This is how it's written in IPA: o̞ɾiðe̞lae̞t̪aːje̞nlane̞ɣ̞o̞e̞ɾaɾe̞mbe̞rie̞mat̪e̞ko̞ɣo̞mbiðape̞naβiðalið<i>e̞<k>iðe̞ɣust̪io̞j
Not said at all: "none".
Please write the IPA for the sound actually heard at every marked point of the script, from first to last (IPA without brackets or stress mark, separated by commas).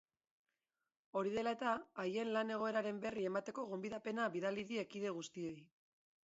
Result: i, k